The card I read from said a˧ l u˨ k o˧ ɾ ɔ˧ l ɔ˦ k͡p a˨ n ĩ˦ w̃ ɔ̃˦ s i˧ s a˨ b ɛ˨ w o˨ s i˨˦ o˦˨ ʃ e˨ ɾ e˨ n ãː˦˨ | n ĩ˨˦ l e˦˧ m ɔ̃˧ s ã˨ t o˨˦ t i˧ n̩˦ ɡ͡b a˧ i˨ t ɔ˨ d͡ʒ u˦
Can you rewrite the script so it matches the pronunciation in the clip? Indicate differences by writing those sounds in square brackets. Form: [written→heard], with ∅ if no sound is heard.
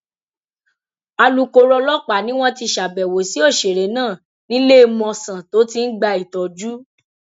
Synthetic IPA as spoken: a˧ l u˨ k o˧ ɾ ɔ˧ l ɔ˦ k͡p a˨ n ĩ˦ w̃ ɔ̃˦ [s→t] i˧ [s→ʃ] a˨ b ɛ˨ w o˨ s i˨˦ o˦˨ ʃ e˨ ɾ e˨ n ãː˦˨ | n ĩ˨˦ l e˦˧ m ɔ̃˧ s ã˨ t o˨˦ t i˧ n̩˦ ɡ͡b a˧ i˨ t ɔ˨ d͡ʒ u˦